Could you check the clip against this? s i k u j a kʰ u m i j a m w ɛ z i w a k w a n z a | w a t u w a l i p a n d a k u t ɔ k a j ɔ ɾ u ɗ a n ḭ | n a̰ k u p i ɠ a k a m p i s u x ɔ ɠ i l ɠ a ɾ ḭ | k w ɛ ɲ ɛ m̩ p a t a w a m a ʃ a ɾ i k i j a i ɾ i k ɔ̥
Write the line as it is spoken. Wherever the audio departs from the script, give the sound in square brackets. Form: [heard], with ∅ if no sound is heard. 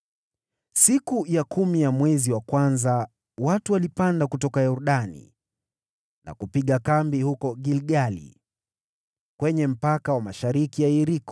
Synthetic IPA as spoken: s i k u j a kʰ u m i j a m w ɛ z i w a k w a n z a | w a t u w a l i p a n d a k u t ɔ k a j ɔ ɾ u ɗ a n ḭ | n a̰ k u p i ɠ a k a m [b] i [h] u [k] ɔ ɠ i l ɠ a [l] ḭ | k w ɛ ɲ ɛ m̩ p a [k] a w a m a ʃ a ɾ i k i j a i ɾ i k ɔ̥

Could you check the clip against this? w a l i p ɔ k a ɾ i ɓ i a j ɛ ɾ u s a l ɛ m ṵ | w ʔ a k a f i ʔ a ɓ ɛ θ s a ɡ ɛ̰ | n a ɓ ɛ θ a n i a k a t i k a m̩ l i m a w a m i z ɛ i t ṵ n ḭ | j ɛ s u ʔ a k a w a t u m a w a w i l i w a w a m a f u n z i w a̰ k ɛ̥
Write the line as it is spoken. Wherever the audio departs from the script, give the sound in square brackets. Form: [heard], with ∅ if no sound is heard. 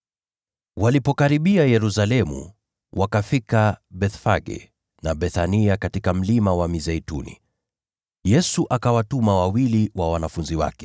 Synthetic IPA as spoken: w a l i p ɔ k a ɾ i ɓ i a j ɛ ɾ u s a l ɛ m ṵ | w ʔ a k a f i [k] a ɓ ɛ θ [f] a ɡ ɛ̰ | n a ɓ ɛ θ a n i a k a t i k a m̩ l i m a w a m i z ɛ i t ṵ n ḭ | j ɛ s u ʔ a k a w a t u m a w a w i l i w a w a [n] a f u n z i w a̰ k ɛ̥

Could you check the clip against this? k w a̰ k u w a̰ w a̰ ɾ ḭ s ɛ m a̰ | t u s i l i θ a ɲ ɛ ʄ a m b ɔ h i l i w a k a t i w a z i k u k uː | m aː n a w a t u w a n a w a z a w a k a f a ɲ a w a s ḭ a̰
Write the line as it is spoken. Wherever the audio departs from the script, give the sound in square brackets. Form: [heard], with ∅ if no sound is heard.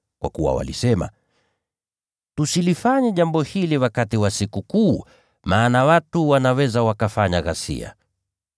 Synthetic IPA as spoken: k w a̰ k u w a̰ w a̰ [l] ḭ s ɛ m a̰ | t u s i l i [f] a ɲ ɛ ʄ a m b ɔ h i l i w a k a t i w a [s] i k u k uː | m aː n a w a t u w a n a w [ɛ] z a w a k a f a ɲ a [ɣ] a s ḭ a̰

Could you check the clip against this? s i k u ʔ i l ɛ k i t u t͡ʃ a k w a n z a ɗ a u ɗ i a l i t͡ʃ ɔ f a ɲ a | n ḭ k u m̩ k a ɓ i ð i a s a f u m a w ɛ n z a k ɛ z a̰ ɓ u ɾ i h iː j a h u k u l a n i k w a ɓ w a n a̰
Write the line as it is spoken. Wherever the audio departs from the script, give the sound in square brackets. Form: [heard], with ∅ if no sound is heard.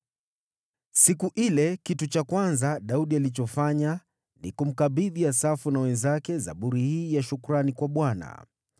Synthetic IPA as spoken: s i k u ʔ i l ɛ k i t u t͡ʃ a k w a n z a ɗ a u ɗ i a l i t͡ʃ ɔ f a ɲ a | n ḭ k u m̩ k a ɓ i ð i a s a f u [n] a w ɛ n z a k ɛ z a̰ ɓ u ɾ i h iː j a [ʃ] u k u [ɾ] a n i k w a ɓ w a n a̰

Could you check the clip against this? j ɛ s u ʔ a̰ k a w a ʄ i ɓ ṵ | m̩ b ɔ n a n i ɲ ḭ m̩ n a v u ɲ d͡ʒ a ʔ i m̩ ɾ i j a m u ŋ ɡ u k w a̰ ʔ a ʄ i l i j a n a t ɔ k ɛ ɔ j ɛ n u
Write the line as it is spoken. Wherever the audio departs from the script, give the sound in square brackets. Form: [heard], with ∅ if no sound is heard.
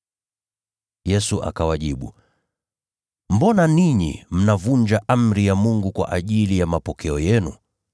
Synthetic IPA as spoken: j ɛ s u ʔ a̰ k a w a ʄ i ɓ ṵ | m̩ b ɔ n a n i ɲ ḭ m̩ n a v u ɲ d͡ʒ a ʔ [a] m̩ ɾ i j a m u ŋ ɡ u k w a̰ ʔ a ʄ i l i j a [m] a [p] ɔ k ɛ ɔ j ɛ n u

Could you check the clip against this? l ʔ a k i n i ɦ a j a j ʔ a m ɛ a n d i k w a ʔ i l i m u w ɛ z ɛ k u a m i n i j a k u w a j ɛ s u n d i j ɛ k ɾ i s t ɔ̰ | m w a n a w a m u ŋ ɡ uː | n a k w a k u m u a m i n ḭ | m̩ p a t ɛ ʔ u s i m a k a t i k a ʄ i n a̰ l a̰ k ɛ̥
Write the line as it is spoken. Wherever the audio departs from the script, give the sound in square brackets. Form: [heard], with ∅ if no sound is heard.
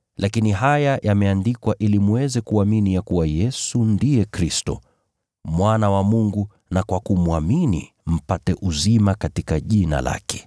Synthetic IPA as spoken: l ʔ a k i n i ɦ a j a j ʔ a m ɛ a n d i k w a ʔ i l i m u w ɛ z ɛ k u a m i n i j a k u w a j ɛ s u n d i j ɛ k ɾ i s t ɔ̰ | m w a n a w a m u ŋ ɡ [u] | n a k w a k u m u a m i n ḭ | m̩ p a t ɛ ʔ u [z] i m a k a t i k a ʄ i n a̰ l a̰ k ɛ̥

